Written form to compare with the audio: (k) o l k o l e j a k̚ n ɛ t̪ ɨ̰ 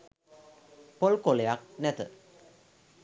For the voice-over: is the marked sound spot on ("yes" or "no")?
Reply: no